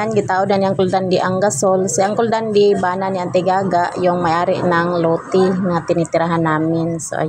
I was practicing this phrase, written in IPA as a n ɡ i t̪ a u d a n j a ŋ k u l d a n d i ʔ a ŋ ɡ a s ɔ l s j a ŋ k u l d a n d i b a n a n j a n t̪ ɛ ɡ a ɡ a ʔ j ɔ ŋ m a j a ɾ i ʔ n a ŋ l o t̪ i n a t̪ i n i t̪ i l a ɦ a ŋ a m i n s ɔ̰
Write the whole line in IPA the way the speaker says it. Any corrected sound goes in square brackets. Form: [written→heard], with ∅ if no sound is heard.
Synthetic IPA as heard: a n ɡ i t̪ a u d a n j a ŋ k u l d a n d i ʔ a ŋ ɡ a s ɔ l s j a ŋ k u l d a n d i b a n a n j a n t̪ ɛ ɡ a ɡ a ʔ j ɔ ŋ m a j a ɾ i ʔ n a ŋ l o t̪ i [n→ŋ] a t̪ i n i t̪ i [l→ɾ] a ɦ a [ŋ→n] a m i n s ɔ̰